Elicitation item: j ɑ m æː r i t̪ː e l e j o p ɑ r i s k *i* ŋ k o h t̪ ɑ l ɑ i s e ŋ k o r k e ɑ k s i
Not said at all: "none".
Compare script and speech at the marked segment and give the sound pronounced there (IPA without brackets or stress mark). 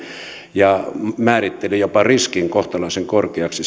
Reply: i